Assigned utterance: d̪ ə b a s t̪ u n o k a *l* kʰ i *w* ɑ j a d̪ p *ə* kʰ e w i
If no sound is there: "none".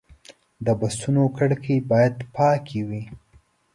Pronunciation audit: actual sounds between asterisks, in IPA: ɽ, b, ɑ

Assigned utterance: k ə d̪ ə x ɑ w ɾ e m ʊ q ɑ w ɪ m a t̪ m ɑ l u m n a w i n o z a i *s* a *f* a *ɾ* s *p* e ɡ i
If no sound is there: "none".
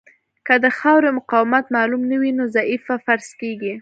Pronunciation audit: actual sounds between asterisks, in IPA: f, f, ɾ, k

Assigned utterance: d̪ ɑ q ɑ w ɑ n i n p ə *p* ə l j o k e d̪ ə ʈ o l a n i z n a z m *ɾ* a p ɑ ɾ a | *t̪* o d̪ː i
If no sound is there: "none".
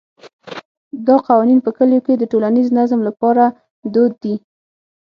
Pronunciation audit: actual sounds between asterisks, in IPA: k, l, d̪

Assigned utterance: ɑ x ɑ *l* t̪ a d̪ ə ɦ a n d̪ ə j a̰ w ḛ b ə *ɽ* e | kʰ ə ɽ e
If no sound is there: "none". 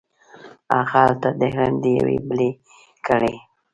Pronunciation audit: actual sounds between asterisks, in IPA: l, l

